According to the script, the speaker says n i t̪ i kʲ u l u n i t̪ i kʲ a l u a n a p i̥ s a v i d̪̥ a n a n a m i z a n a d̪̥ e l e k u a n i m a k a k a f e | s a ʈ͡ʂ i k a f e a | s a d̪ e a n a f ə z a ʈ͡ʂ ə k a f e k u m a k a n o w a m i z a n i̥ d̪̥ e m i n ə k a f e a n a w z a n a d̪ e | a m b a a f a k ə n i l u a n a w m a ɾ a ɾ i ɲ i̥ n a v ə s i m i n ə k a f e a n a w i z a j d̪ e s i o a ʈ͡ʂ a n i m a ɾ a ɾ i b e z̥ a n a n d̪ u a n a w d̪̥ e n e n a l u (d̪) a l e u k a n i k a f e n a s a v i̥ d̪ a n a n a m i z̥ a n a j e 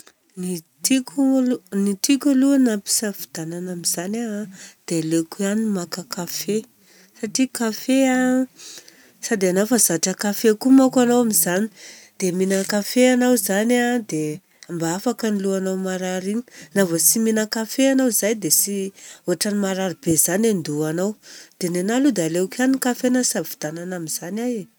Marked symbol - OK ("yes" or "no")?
yes